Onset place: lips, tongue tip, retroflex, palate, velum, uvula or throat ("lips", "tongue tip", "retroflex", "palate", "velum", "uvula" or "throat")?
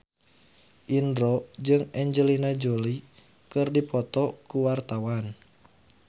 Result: throat